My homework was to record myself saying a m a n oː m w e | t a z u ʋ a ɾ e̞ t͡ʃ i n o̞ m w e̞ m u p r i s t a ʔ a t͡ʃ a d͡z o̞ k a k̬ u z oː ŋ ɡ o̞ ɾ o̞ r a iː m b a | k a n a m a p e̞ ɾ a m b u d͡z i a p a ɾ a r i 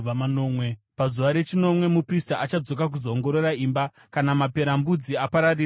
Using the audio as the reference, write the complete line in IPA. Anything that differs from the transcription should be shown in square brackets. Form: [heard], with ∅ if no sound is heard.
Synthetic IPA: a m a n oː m w e | [p] a z u ʋ a ɾ e̞ t͡ʃ i n o̞ m w e̞ m u p r i s t a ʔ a t͡ʃ a d͡z o̞ k a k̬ u z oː ŋ ɡ o̞ ɾ o̞ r a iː m b a | k a n a m a p e̞ ɾ a m b u d͡z i a p a ɾ a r i